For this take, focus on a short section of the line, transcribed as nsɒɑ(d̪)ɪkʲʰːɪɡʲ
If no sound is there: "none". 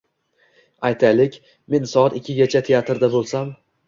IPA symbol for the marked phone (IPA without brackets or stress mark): t̪